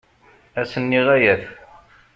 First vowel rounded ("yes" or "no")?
no